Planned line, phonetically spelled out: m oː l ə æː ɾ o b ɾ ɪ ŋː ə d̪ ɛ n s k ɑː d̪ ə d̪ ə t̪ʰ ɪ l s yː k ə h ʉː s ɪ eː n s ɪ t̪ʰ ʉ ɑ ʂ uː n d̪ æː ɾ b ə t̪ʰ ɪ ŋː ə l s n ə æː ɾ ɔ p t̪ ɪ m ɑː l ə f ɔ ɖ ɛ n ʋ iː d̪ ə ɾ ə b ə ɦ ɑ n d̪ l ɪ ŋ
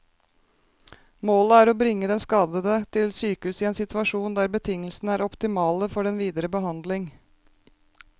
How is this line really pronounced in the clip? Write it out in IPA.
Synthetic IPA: m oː l ə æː ɾ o b ɾ ɪ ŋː ə d̪ ɛ n s k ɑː d̪ ə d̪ ə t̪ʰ ɪ l s yː k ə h ʉː s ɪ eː n s ɪ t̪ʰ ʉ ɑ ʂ uː n d̪ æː ɾ b ə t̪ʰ ɪ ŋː ə l s n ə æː ɾ ɔ p t̪ ɪ m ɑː l ə f ɔ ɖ ɛ n ʋ iː d̪ ə ɾ ə b ə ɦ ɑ n d̪ l ɪ ŋ